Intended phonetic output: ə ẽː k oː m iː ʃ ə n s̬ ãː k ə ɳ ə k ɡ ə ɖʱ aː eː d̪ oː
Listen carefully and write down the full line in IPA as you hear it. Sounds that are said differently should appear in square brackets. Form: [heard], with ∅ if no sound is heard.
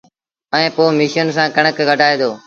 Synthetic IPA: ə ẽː [p] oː m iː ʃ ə n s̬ ãː k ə ɳ ə k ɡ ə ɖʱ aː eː d̪ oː